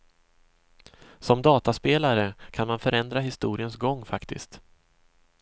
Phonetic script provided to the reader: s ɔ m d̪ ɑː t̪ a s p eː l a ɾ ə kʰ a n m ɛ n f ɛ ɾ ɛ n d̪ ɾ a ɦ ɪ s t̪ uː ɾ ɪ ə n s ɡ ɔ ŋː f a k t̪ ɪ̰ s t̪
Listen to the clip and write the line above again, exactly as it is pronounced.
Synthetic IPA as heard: s ɔ m d̪ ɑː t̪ a s p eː l a ɾ ə kʰ a n m a n f œ ɾ ɛ n d̪ ɾ a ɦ ɪ s t̪ uː ɾ ɪ ə n s ɡ ɔ ŋː f a k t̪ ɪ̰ s t̪